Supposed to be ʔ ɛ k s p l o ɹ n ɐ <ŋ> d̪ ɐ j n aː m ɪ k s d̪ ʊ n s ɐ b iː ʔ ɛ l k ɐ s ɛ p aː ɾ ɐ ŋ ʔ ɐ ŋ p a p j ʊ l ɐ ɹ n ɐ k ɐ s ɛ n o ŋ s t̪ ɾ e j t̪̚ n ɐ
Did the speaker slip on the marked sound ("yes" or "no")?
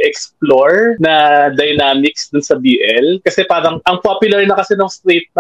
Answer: yes